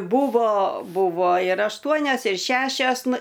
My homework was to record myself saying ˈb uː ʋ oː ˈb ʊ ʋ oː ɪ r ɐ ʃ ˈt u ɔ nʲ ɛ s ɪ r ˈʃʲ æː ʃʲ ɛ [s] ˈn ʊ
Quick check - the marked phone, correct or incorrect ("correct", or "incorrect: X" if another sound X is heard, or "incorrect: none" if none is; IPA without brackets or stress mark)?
correct